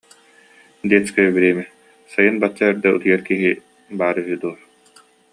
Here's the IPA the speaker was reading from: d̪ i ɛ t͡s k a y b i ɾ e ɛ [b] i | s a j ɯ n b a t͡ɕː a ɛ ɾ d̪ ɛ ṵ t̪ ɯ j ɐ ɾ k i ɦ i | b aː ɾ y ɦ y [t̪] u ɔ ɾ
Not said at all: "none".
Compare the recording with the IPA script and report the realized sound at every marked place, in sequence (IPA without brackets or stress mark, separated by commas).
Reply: m, d̪